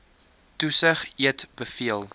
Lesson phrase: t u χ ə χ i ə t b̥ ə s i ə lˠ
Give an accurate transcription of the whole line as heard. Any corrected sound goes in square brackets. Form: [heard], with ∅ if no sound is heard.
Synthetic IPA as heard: t u [s] ə χ i ə t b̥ ə [f] i ə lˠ